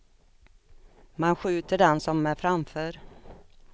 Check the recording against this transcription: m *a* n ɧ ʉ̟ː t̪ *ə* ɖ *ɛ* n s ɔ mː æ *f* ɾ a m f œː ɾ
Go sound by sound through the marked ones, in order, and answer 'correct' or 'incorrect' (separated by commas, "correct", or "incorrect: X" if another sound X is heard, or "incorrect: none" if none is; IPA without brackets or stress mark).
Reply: correct, correct, correct, correct